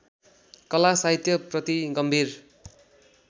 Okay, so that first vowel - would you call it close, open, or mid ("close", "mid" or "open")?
mid